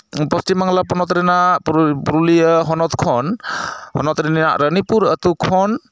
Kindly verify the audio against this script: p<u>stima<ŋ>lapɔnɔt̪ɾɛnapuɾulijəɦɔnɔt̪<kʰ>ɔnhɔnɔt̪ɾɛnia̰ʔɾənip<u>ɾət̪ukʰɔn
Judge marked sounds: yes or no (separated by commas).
no, yes, yes, yes